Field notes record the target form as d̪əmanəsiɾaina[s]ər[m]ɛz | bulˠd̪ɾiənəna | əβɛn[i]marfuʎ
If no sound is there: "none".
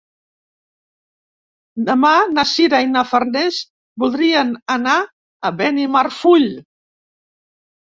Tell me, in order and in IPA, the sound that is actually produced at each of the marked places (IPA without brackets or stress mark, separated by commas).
f, n, i